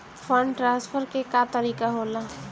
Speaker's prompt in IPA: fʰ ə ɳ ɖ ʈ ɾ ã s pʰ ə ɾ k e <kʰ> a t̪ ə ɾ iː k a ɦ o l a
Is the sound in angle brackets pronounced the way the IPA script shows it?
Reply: no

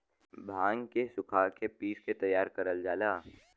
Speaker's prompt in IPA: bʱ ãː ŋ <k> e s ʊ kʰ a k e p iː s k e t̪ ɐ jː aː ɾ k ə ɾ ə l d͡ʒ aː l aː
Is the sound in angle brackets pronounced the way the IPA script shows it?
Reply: yes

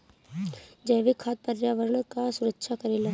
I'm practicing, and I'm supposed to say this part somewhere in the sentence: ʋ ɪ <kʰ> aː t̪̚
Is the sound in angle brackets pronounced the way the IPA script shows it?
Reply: yes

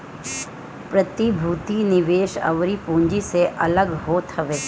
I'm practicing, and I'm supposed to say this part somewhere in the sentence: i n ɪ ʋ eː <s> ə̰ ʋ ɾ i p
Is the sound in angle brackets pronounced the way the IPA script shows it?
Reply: no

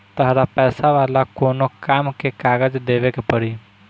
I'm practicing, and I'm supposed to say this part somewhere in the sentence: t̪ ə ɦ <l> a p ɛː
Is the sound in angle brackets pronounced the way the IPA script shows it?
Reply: no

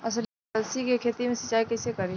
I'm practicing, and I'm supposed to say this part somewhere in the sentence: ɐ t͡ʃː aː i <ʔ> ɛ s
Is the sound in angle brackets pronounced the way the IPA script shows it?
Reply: no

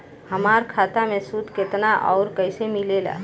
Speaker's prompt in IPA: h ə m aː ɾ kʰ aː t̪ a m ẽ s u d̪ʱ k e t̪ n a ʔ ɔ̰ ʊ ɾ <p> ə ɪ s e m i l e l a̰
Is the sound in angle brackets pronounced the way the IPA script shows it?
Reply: no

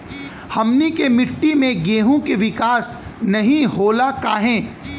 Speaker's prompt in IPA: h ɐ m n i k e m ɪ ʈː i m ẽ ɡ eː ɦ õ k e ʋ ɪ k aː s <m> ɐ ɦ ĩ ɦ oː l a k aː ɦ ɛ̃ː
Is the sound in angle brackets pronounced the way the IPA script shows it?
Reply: no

